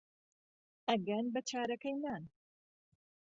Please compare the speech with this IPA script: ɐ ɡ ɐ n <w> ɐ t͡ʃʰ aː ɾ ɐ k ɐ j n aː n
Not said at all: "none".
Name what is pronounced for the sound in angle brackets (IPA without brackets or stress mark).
b